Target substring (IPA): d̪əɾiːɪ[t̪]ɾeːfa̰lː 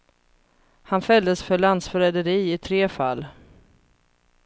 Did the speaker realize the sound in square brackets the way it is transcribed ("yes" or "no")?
no